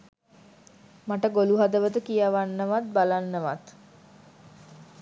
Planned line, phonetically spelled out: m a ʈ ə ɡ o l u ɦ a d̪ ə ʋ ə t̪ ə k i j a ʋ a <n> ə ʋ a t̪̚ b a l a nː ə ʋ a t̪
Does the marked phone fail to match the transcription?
yes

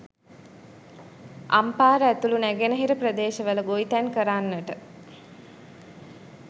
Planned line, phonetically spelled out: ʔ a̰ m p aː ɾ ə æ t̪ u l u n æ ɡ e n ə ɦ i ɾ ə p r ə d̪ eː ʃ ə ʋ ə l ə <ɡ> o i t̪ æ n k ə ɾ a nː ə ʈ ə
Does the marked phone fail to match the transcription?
no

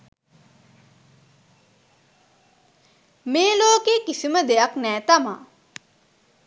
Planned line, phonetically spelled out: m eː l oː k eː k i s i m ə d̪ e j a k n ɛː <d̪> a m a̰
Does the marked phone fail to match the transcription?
yes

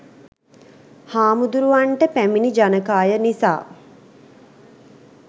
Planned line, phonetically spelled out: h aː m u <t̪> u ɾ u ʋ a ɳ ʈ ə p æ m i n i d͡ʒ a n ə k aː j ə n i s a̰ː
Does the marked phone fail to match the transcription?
yes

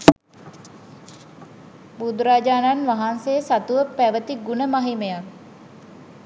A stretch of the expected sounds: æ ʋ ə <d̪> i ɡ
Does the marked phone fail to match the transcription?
yes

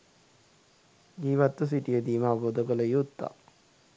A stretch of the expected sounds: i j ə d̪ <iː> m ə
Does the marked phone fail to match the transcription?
no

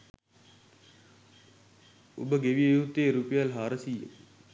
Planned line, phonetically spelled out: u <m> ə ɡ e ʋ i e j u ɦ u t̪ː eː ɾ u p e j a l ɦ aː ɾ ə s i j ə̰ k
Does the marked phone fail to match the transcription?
yes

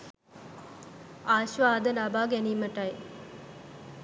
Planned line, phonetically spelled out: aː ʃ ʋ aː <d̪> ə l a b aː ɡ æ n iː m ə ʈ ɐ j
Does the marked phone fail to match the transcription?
no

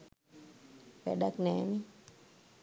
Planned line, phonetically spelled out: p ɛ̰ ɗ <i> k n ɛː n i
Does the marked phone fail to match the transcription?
yes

